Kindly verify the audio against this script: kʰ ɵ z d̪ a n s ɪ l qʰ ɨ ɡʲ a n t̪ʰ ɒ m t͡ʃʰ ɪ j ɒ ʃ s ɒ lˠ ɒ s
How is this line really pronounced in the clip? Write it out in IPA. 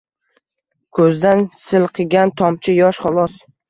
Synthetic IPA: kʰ ɵ z d̪ a n s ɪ l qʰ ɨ ɡʲ a n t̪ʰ ɒ m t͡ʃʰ ɪ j ɒ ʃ χ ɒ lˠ ɒ s